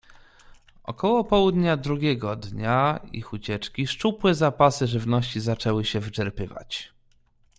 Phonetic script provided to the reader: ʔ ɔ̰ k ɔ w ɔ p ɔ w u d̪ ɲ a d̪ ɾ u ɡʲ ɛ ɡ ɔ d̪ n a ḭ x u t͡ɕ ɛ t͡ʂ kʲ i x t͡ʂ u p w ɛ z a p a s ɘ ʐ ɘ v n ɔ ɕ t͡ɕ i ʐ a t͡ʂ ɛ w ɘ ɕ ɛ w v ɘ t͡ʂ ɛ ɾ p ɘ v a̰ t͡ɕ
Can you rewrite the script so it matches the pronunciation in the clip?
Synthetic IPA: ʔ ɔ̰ k ɔ w ɔ p ɔ w u d̪ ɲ a d̪ ɾ u ɡʲ ɛ ɡ ɔ d̪ ɲ a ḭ x u t͡ɕ ɛ t͡ʂ kʲ i ʂ t͡ʂ u p w ɛ z a p a s ɘ ʐ ɘ v n ɔ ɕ t͡ɕ i z a t͡ʂ ɛ w ɘ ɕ ɛ v ɘ t͡ʂ ɛ ɾ p ɘ v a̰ t͡ɕ